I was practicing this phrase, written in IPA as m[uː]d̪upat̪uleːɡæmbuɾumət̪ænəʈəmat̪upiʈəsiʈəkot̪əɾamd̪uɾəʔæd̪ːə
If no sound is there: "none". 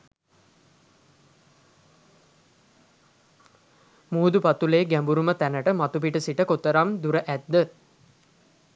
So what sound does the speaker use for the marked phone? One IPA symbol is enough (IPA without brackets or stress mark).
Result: uː